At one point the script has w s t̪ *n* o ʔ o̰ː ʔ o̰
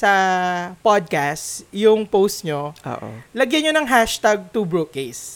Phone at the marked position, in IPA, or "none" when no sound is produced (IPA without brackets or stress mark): ɲ